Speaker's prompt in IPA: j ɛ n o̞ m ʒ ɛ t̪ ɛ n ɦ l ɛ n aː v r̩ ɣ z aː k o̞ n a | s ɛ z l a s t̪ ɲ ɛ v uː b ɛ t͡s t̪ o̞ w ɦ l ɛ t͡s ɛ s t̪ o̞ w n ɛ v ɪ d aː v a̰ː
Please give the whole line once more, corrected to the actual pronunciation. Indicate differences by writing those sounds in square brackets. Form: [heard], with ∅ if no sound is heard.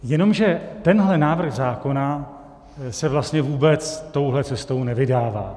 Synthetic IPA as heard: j ɛ n o̞ m ʒ ɛ t̪ ɛ n ɦ l ɛ n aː v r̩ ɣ z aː k o̞ n a | s ɛ [v] l a s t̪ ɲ ɛ v uː b ɛ t͡s t̪ o̞ w ɦ l ɛ t͡s ɛ s t̪ o̞ w n ɛ v ɪ d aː v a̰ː